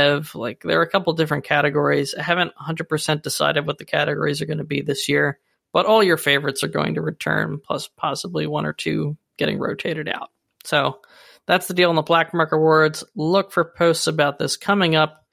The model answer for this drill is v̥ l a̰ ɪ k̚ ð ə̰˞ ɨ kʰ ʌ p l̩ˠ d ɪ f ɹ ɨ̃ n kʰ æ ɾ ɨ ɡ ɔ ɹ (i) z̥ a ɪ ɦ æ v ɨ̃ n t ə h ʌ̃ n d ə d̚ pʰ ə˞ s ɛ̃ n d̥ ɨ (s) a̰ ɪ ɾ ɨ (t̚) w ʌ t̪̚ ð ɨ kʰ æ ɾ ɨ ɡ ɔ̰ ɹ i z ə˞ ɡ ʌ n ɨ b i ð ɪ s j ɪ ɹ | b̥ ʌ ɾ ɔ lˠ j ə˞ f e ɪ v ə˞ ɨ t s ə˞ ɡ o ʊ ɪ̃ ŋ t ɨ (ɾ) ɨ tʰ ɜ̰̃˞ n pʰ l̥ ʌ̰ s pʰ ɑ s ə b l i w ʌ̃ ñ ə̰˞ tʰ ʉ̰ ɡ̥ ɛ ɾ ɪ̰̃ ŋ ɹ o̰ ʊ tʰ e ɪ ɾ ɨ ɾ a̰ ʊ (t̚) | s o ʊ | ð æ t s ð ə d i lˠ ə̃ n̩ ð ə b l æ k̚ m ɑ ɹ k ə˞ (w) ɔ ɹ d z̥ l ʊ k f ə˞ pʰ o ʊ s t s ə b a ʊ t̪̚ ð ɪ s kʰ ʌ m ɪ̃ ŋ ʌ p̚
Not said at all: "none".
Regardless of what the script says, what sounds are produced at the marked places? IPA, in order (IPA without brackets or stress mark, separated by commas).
i, s, d̚, ɹ, t̚, w